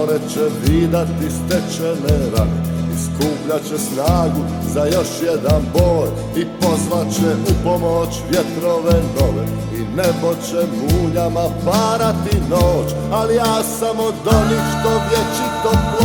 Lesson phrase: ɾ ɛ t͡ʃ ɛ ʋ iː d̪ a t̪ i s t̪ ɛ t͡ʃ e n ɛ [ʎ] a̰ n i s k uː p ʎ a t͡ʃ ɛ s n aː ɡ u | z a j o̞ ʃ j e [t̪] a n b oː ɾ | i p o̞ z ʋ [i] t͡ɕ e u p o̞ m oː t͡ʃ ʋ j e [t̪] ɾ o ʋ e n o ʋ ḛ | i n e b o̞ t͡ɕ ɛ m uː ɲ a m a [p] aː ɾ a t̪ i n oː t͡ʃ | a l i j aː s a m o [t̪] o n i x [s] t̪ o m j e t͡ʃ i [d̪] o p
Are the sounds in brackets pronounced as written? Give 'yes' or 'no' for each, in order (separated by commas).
no, no, no, yes, yes, no, no, no